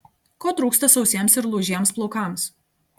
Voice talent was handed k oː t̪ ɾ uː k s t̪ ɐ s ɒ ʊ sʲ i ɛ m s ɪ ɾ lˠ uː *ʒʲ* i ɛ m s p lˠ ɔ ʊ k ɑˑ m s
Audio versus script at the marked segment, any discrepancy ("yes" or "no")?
no